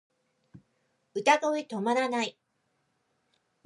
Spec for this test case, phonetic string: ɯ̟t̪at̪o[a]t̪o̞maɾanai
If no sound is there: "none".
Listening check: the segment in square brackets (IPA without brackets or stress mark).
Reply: i